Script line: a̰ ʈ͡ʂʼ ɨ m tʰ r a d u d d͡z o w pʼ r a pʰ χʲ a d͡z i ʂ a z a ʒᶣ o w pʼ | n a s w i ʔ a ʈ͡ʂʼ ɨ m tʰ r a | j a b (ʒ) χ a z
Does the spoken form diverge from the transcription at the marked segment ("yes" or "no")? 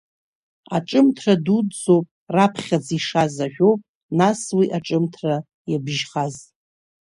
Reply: no